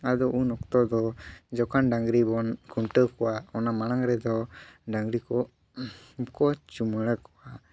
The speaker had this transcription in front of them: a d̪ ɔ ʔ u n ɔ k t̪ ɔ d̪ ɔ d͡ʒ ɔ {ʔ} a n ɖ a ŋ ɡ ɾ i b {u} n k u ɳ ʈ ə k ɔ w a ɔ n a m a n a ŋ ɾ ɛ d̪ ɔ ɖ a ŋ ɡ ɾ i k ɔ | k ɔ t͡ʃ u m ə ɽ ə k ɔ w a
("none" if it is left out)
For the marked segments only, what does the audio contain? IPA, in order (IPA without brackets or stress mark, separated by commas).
k, ɔ